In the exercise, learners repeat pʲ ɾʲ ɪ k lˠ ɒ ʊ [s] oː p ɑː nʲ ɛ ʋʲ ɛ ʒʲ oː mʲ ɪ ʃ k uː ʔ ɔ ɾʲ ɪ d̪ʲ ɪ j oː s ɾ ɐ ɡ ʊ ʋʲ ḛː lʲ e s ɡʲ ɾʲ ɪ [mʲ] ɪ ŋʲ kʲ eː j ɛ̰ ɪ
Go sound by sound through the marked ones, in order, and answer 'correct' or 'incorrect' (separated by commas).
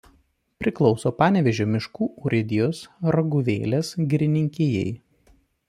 correct, incorrect